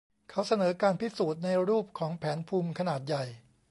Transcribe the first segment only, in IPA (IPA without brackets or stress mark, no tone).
kʰ